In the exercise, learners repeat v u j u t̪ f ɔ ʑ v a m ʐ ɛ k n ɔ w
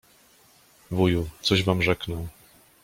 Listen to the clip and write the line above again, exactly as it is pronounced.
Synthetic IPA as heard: v u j u t̪ s ɔ ʑ v a m ʐ ɛ k n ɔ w